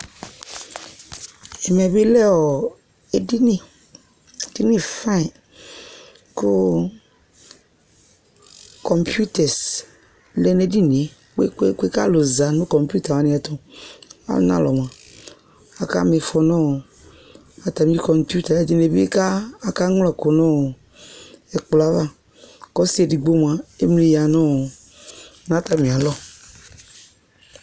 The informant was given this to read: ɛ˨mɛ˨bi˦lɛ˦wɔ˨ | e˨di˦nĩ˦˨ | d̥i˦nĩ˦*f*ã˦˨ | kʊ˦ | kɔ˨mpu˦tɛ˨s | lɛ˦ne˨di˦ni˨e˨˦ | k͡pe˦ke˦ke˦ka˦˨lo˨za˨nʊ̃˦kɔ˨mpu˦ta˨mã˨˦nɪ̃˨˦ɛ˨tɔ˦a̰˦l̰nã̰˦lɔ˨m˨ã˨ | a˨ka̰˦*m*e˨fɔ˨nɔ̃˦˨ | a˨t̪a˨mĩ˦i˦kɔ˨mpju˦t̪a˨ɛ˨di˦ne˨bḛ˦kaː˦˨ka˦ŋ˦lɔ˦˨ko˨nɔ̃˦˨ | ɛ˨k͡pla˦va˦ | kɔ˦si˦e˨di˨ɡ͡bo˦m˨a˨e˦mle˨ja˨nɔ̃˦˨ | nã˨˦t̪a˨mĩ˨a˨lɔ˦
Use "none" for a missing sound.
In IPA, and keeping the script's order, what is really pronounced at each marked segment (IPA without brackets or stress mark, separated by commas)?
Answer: f, m